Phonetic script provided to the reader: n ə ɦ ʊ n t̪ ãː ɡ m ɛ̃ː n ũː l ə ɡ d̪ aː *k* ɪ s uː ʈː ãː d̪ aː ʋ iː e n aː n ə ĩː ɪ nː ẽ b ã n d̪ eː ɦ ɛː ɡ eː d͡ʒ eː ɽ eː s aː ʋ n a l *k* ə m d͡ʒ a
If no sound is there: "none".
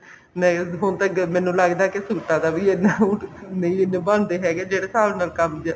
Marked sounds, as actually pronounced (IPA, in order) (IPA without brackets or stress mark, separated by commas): k, k